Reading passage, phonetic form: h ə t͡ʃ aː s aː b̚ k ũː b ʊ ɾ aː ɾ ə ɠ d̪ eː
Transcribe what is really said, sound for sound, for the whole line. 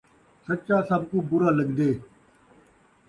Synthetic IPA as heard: s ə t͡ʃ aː s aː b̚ k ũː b ʊ ɾ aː l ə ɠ d̪ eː